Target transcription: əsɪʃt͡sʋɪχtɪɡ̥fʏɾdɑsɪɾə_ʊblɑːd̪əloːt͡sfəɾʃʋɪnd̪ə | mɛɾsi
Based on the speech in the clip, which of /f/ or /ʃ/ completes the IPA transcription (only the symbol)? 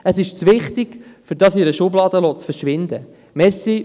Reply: ʃ